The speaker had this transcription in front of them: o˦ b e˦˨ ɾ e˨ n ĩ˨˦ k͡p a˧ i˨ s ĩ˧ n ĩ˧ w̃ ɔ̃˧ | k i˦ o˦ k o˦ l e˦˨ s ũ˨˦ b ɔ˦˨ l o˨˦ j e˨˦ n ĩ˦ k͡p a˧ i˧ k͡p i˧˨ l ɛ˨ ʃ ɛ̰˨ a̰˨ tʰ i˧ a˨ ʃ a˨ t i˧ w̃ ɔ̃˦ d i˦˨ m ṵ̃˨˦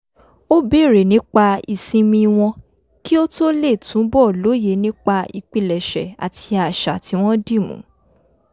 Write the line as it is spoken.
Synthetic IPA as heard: o˦ b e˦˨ ɾ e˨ n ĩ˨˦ k͡p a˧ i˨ s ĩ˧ m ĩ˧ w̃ ɔ̃˧ | k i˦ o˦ t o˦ l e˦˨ t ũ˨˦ b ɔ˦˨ l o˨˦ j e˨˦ n ĩ˦ k͡p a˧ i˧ k͡p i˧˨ l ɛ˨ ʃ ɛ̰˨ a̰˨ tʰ i˧ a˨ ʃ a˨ t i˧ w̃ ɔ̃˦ d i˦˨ m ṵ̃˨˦